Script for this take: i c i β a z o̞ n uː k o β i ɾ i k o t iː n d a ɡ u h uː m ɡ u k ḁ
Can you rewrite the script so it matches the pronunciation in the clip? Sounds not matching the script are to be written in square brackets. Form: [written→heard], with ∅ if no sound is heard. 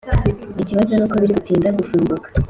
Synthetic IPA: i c i β a z o̞ n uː k o β i ɾ i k [o→u] t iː n d a ɡ u [h→f] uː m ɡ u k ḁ